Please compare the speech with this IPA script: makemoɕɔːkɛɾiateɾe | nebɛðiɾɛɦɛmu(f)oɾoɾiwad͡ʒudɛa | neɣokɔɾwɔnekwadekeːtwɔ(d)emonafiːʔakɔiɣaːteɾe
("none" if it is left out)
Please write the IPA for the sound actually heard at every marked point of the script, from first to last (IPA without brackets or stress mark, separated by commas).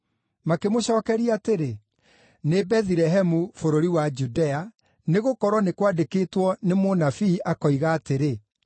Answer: f, n